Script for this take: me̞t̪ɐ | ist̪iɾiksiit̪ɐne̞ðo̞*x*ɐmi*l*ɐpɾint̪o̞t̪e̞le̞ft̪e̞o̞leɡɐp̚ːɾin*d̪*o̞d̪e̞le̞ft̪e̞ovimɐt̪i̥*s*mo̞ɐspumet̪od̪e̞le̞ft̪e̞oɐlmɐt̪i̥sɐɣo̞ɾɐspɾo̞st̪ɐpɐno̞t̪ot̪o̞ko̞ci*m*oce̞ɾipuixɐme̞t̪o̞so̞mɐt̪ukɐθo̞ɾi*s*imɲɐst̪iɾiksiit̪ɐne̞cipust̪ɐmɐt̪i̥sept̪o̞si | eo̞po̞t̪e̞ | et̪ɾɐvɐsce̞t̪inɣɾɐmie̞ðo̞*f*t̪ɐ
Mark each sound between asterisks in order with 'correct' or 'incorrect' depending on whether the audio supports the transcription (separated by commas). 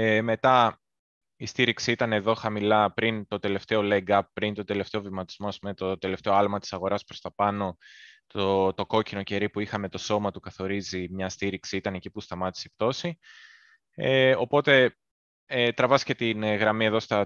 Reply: correct, correct, incorrect, incorrect, incorrect, incorrect, incorrect